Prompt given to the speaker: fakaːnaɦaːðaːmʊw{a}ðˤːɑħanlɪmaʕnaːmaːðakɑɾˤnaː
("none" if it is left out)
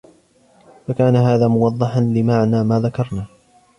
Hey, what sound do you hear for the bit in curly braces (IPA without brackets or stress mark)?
ɑ